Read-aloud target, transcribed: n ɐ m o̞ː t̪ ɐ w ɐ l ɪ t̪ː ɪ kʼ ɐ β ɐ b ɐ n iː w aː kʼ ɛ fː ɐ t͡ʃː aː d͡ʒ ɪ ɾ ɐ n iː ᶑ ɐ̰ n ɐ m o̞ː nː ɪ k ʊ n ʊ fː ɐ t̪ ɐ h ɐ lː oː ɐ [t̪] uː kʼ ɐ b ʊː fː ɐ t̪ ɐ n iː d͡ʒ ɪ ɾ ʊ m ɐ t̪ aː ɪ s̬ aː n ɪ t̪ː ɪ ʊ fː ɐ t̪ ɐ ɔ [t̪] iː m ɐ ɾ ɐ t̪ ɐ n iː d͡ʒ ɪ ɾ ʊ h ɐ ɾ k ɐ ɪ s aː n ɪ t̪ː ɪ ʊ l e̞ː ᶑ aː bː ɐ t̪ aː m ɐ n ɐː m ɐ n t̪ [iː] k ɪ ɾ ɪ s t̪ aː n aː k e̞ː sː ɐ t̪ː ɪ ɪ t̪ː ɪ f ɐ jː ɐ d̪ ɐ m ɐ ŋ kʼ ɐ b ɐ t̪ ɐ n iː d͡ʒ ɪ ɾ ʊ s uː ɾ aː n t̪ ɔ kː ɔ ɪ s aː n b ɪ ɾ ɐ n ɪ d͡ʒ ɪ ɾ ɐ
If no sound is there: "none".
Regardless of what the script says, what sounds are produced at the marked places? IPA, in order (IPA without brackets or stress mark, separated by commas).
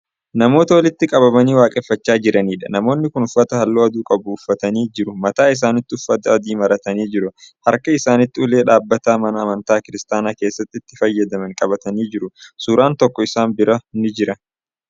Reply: d̪, d̪, aː